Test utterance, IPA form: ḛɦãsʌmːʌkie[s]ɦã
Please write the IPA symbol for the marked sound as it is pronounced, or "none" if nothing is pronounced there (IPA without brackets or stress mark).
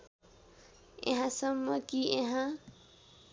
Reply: none